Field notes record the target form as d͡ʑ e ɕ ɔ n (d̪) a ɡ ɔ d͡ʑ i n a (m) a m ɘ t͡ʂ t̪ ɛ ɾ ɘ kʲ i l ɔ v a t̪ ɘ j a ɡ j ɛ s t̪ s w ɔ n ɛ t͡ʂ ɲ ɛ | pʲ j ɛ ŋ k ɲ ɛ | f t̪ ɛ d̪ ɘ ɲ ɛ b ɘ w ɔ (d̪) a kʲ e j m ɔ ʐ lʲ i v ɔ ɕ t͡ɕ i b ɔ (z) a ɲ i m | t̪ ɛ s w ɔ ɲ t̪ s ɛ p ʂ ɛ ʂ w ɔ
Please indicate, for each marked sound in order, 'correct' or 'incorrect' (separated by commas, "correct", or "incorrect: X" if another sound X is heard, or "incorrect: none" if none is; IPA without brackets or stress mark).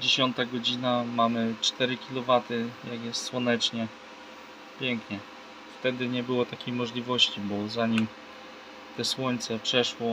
incorrect: t̪, correct, incorrect: t̪, correct